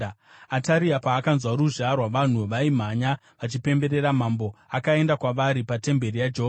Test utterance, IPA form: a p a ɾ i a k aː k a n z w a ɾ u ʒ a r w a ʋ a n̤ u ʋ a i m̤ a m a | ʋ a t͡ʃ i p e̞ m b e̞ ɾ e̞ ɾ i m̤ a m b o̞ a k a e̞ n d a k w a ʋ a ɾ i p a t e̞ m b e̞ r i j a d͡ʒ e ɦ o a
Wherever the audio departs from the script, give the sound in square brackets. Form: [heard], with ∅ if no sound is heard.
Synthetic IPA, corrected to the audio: a [t] a ɾ i a [p] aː k a n z w a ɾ u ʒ a r w a ʋ a n̤ u ʋ a i m̤ a [ɲ] a | ʋ a t͡ʃ i p e̞ m b e̞ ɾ e̞ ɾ [a] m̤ a m b o̞ a k a e̞ n d a k w a ʋ a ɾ i p a t e̞ m b e̞ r i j a d͡ʒ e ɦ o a

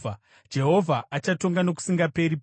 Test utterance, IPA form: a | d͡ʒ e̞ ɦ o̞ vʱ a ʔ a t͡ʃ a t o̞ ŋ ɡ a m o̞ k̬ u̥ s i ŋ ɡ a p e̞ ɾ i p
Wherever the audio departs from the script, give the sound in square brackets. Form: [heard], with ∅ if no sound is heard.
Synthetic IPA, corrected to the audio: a | d͡ʒ e̞ ɦ o̞ vʱ a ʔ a t͡ʃ a t o̞ ŋ ɡ a [n] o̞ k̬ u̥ s i ŋ ɡ a p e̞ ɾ i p

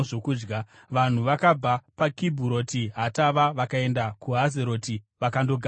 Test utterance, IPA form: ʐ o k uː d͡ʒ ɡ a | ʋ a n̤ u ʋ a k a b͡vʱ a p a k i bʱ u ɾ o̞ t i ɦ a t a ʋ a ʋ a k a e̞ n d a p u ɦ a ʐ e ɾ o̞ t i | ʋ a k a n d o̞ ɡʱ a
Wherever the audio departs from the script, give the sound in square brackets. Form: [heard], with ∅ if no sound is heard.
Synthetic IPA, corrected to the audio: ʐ o k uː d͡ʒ ɡ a | ʋ a n̤ u ʋ a k a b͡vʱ a p a k i bʱ u ɾ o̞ t i ɦ a t a ʋ a ʋ a k a e̞ n d a [k] u ɦ a [z] e ɾ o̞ t i | ʋ a k a n d o̞ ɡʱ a

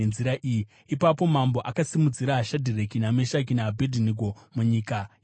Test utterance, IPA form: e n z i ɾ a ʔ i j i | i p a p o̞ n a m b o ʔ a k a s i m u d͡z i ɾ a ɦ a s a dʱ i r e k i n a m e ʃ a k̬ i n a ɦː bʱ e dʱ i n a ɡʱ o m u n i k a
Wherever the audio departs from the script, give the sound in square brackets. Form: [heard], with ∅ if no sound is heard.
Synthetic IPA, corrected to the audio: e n z i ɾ a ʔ i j i | i p a p o̞ [m] a m b o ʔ a k a s i m u d͡z i ɾ a ɦ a [ʃ] a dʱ i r e k i n a m e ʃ a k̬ i n a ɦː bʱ e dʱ i n [i] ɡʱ o m u [ɲ] i k a

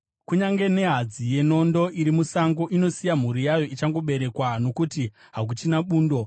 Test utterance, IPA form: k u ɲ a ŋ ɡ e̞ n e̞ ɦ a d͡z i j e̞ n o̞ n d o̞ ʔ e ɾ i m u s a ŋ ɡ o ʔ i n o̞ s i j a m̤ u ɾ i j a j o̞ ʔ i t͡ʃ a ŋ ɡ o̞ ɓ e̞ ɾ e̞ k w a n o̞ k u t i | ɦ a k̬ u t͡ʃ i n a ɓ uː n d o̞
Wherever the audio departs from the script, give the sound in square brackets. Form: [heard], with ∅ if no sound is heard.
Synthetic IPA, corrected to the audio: k u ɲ a ŋ ɡ e̞ n e̞ ɦ a d͡z i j e̞ n o̞ n d o̞ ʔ [i] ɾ i m u s a ŋ ɡ o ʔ i n o̞ s i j a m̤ u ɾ i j a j o̞ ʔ i t͡ʃ a ŋ ɡ o̞ ɓ e̞ ɾ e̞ k w a n o̞ k u t i | ɦ a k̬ u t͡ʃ i n a ɓ uː n d o̞

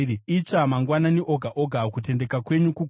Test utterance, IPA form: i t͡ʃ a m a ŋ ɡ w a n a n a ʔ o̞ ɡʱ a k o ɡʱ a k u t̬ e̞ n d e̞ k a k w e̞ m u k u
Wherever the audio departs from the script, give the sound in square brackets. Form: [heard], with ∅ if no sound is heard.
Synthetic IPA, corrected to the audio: i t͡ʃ a m a ŋ ɡ w a n a n [i] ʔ o̞ ɡʱ a [ʔ] o ɡʱ a k u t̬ e̞ n d e̞ k a k w e̞ [ɲ] u k u

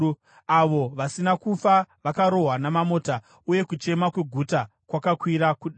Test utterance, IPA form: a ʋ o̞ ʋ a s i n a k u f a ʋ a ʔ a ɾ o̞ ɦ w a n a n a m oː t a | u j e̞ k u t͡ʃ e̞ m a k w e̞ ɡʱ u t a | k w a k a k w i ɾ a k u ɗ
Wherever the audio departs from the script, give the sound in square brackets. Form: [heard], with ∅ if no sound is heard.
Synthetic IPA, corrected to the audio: a ʋ o̞ ʋ a s i n a k u f a ʋ a [k] a ɾ o̞ ɦ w a n a [m] a m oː t a | u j e̞ k u t͡ʃ e̞ m a k w e̞ ɡʱ u t a | k w a k a k w i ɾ a k u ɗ

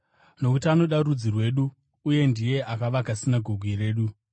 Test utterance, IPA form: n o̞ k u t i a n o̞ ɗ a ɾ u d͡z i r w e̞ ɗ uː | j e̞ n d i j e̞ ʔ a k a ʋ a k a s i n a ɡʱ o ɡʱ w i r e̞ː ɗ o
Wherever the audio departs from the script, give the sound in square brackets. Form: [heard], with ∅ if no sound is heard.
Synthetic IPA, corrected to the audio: n o̞ k u t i a n o̞ ɗ a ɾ u d͡z i r w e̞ ɗ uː | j e̞ n d i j e̞ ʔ a k a ʋ a k a s i n a ɡʱ o ɡʱ w i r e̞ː ɗ [u]

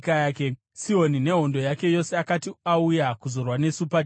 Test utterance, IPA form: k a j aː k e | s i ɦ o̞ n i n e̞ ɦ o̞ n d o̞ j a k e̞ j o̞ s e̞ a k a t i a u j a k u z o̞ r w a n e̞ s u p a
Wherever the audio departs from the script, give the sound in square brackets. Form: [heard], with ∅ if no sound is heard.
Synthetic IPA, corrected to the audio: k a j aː k e | s i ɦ o̞ n i n e̞ ɦ o̞ n d o̞ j a k e̞ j o̞ s e̞ a k a t i a u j a k u z o̞ r w a n e̞ s u p a

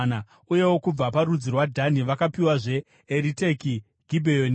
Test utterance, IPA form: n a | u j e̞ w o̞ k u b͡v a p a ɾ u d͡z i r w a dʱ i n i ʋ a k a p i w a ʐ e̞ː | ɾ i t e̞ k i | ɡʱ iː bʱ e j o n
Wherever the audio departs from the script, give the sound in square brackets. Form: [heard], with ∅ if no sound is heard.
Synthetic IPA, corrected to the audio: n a | u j e̞ w o̞ k u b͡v a p a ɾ u d͡z i r w a dʱ [a] n i ʋ a k a p i w a ʐ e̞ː | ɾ i t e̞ k i | ɡʱ [i] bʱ e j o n

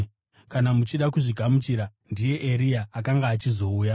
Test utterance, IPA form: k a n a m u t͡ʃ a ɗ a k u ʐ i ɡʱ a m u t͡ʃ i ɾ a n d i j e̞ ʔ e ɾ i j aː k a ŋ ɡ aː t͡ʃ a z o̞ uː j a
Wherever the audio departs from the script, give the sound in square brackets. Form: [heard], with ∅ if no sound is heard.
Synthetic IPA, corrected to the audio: k a n a m u t͡ʃ [i] ɗ a k u ʐ i ɡʱ a m u t͡ʃ i ɾ a n d i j e̞ ʔ e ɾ i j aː k a ŋ ɡ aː t͡ʃ [i] z o̞ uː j a

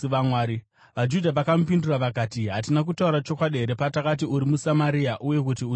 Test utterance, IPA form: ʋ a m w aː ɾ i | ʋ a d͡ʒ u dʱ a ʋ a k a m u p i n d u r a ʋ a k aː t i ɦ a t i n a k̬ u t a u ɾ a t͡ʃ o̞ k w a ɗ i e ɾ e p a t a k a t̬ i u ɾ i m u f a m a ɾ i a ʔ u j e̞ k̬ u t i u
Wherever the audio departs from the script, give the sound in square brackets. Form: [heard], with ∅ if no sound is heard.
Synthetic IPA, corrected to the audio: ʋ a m w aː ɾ i | ʋ a d͡ʒ u dʱ a ʋ a k a m u p i n d u r a ʋ a k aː t i ɦ a t i n a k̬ u t a u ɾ a t͡ʃ o̞ k w a ɗ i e ɾ e p a t a k a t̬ i u ɾ i m u [s] a m a ɾ i a ʔ u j e̞ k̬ u t i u

